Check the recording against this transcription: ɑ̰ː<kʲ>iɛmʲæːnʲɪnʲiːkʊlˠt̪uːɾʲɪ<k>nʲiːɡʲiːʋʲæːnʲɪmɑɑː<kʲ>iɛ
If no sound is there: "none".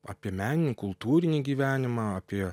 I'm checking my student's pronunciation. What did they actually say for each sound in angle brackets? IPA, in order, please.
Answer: pʲ, none, pʲ

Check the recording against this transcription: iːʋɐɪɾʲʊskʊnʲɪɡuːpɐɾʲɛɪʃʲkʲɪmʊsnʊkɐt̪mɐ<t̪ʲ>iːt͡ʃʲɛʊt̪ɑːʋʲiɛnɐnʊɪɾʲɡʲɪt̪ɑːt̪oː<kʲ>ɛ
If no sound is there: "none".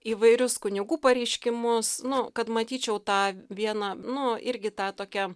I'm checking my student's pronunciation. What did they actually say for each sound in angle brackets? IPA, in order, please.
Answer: t̪ʲ, kʲ

